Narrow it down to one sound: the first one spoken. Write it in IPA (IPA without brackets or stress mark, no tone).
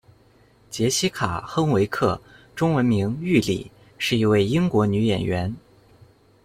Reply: t͡ɕ